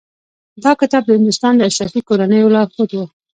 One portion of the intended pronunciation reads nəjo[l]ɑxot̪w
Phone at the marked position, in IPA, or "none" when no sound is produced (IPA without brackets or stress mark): l